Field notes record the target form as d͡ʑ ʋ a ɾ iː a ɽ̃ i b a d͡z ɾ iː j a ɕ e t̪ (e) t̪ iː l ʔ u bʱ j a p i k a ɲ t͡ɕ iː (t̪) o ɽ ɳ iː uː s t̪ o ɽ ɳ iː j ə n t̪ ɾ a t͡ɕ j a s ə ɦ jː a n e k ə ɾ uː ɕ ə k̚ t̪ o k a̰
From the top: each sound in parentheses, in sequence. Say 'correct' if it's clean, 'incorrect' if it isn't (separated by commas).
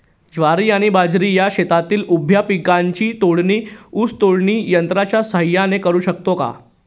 incorrect, correct